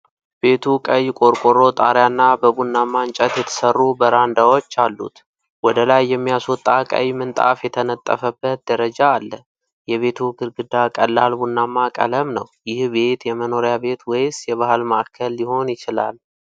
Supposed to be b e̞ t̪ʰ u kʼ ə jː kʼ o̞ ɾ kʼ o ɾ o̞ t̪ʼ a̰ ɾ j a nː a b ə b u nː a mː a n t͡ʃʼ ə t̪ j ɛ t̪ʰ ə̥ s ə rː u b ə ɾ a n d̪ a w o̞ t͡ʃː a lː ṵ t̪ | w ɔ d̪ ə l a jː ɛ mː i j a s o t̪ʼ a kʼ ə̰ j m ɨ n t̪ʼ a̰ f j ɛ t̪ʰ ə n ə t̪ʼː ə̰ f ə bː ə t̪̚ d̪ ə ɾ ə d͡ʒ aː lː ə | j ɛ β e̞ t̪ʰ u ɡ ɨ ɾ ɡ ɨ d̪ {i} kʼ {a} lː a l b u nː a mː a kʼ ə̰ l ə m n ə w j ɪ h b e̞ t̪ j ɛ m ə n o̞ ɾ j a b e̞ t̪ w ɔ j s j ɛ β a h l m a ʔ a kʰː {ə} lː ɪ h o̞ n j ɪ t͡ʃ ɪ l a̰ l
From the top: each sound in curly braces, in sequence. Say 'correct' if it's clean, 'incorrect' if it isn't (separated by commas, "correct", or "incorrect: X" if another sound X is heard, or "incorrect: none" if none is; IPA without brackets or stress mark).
incorrect: a, incorrect: ə, correct